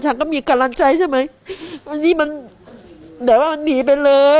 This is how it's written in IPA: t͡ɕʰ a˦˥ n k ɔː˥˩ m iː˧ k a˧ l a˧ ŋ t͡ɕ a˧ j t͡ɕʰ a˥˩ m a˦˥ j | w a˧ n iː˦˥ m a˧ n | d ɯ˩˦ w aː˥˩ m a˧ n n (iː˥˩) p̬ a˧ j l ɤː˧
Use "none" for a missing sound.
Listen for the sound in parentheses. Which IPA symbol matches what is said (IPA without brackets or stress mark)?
iː˩˦